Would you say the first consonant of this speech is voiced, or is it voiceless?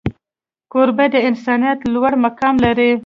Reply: voiceless